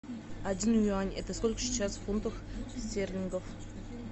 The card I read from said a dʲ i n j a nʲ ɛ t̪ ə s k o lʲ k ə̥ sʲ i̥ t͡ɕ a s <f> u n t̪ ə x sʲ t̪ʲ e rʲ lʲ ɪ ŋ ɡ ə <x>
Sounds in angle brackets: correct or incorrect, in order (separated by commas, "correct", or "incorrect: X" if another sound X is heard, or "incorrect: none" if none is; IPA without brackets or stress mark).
correct, incorrect: f